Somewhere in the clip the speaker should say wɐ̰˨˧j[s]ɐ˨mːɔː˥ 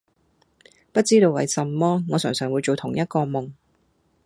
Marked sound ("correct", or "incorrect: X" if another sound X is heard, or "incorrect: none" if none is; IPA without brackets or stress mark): correct